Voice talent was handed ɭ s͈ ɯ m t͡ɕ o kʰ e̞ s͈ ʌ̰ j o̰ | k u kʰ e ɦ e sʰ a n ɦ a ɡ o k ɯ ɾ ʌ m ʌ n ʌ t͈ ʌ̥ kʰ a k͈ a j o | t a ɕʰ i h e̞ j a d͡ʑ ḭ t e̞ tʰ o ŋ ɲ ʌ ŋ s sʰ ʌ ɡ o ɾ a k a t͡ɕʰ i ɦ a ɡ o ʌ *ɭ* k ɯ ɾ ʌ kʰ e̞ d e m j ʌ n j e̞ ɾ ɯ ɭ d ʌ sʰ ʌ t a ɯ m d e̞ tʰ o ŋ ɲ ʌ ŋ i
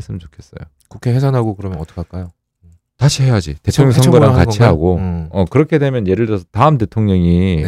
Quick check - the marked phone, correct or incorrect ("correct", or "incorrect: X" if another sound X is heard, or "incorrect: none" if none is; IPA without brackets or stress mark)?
incorrect: none